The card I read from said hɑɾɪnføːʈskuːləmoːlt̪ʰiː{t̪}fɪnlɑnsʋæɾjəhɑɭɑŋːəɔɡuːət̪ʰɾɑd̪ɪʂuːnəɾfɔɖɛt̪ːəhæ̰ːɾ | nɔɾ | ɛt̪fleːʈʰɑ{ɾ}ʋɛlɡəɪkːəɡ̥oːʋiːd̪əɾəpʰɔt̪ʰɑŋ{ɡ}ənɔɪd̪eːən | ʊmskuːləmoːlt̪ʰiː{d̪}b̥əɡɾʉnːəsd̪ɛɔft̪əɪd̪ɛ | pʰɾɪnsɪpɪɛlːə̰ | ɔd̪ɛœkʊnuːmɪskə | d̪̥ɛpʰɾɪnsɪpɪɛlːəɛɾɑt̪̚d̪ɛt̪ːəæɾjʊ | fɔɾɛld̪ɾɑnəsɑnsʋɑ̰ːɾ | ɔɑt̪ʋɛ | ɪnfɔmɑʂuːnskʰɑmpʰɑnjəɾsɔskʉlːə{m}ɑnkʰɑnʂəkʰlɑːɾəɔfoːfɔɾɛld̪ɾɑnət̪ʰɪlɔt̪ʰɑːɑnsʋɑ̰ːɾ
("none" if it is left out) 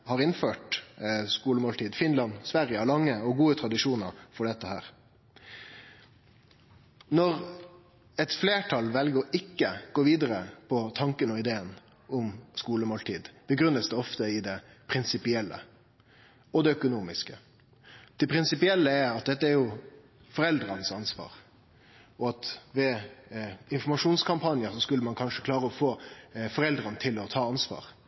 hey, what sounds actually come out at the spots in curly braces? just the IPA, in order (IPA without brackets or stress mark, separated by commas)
d̪, l, k, d̪, m